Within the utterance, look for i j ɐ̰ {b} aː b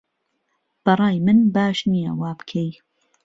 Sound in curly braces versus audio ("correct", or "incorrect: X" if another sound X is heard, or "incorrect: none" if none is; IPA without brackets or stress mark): incorrect: w